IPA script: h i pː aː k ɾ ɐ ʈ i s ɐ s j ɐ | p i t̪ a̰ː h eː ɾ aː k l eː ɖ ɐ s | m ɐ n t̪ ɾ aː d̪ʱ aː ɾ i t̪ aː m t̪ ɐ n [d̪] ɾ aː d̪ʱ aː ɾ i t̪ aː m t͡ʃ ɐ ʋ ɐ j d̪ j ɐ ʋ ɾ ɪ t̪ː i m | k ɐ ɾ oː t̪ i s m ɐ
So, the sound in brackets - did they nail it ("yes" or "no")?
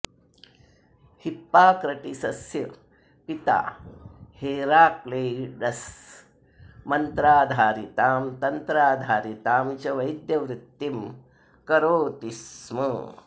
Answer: no